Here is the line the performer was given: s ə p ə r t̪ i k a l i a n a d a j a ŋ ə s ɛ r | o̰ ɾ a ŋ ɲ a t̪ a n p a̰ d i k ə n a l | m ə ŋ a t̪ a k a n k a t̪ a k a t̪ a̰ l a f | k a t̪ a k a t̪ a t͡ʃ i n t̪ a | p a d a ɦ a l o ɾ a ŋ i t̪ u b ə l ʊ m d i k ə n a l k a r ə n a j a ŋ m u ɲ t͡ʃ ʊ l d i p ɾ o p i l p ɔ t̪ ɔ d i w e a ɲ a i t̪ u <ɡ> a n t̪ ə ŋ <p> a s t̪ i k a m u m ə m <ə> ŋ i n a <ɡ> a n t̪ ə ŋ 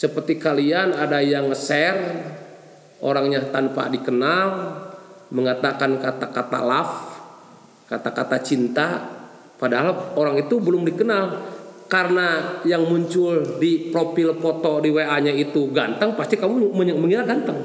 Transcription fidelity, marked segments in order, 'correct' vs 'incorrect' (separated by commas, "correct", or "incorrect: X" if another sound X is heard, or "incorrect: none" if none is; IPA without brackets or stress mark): correct, correct, correct, correct